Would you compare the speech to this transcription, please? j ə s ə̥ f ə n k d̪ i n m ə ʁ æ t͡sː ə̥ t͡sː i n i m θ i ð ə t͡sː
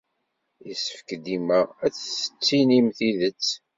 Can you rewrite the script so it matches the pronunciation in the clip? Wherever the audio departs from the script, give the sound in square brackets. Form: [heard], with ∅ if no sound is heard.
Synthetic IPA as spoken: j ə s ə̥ f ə [∅] k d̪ i [∅] m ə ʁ æ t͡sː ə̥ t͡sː i n i m θ i ð ə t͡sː